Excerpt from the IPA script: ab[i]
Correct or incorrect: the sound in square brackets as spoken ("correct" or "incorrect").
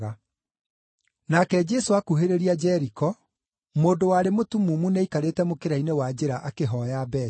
incorrect